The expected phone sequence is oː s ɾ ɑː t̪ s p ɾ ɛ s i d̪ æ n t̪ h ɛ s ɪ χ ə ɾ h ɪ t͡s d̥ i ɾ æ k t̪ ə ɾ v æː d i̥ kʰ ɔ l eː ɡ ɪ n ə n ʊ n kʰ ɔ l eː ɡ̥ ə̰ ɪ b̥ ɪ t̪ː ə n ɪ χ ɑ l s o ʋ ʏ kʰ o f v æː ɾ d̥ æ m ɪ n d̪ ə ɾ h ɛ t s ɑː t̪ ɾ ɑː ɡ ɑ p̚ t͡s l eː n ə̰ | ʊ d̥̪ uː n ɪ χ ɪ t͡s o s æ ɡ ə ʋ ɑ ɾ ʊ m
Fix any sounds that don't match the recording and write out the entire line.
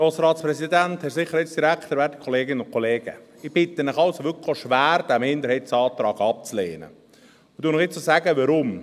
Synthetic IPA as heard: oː s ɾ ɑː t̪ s p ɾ ɛ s i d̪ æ n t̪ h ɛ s ɪ χ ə ɾ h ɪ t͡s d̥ i ɾ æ k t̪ ə ɾ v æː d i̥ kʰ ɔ l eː ɡ ɪ n ə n ʊ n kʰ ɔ l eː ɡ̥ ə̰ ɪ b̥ ɪ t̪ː ə n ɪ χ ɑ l s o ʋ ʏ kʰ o ʃ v æː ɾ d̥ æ m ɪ n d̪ ə ɾ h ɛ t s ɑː t̪ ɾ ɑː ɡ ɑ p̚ t͡s l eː n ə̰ | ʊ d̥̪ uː n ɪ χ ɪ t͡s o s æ ɡ ə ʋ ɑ ɾ ʊ m